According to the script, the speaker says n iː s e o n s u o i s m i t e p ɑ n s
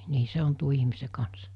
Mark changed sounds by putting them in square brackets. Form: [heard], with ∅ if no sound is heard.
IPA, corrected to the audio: n iː s e o n [t] u o i [h] m i [s] e [k] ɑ n s